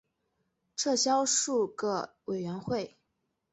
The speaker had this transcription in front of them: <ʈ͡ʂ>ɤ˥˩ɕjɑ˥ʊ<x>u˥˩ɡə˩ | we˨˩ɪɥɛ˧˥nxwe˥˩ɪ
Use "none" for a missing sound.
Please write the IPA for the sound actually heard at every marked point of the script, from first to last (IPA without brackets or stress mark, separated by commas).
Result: ʈ͡ʂʰ, ʂ